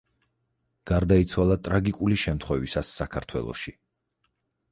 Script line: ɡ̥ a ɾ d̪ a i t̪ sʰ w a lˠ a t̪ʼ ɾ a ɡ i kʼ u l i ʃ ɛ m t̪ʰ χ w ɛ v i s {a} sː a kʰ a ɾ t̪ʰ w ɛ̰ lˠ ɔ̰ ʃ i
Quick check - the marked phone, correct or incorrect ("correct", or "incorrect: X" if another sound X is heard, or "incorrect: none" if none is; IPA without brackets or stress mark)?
correct